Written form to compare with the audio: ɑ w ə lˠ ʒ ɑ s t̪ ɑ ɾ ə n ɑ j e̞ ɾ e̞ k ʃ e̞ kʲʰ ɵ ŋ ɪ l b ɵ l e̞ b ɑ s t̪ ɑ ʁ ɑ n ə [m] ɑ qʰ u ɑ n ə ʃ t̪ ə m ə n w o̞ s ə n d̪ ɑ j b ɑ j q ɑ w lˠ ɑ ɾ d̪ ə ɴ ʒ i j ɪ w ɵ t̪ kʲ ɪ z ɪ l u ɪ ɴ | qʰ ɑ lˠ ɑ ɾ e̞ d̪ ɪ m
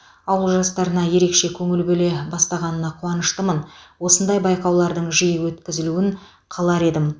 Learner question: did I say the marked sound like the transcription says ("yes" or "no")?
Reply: no